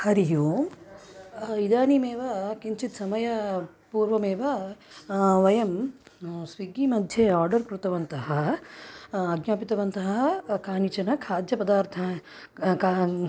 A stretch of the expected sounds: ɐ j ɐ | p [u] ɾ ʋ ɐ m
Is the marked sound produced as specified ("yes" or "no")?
no